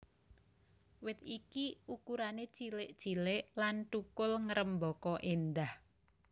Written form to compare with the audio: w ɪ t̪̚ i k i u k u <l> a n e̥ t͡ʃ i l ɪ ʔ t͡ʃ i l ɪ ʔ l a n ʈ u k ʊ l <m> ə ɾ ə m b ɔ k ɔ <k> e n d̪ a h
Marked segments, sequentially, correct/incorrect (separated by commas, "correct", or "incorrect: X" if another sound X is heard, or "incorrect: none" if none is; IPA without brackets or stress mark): incorrect: ɾ, incorrect: ŋ, incorrect: ʔ